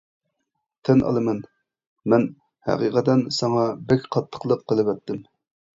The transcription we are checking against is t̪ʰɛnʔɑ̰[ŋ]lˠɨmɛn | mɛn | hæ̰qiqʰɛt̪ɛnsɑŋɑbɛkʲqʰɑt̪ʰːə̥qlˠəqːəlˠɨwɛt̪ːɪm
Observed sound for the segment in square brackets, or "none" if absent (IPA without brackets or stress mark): none